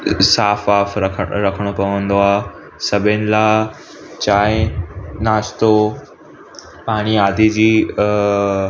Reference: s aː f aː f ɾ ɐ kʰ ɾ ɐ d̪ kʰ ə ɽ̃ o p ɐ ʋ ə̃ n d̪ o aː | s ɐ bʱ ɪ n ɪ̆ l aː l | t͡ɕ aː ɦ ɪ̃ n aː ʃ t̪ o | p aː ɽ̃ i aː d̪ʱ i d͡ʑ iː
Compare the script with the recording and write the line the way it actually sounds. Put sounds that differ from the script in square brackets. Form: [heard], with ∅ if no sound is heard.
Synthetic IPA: s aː f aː f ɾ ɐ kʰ ɾ ɐ [∅] kʰ ə ɽ̃ o p ɐ ʋ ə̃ n d̪ o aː | s ɐ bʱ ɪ n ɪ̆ l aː [∅] | t͡ɕ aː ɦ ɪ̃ n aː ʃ t̪ o | p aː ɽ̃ i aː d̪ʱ i d͡ʑ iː